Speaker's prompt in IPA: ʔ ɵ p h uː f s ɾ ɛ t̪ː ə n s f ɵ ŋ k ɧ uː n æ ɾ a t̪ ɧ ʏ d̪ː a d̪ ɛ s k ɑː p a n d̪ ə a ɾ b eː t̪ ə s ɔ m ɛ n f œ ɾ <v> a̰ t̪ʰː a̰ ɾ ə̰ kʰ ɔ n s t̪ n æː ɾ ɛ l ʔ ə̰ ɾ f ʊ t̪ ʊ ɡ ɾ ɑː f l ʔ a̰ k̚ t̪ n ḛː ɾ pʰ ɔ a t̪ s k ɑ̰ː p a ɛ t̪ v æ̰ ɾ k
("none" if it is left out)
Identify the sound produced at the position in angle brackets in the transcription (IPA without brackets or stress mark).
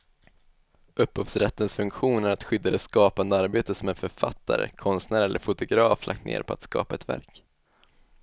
f